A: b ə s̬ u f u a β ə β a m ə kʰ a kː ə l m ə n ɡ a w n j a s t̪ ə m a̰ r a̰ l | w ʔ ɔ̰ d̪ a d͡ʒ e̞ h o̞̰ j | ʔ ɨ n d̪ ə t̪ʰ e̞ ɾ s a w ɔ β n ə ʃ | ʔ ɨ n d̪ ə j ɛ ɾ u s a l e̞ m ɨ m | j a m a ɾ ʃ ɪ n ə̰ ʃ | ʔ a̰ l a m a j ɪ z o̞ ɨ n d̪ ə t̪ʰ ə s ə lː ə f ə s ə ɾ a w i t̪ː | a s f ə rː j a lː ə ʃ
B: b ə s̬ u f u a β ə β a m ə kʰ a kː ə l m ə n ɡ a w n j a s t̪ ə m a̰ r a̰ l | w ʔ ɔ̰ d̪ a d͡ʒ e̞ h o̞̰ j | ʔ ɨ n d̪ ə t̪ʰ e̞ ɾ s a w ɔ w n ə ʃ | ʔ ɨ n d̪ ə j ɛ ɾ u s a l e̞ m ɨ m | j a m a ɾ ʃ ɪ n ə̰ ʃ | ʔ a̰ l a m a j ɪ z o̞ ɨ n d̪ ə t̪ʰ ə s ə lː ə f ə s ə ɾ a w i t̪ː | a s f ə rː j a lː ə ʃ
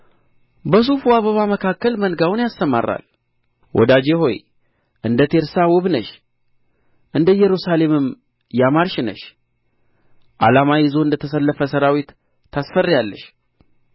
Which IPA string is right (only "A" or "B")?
A